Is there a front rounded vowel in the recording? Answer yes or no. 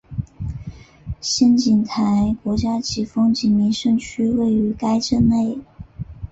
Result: yes